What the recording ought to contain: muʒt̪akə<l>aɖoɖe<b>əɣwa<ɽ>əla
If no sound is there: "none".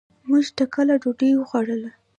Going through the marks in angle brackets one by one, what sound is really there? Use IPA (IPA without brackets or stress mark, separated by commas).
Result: l, w, ɽ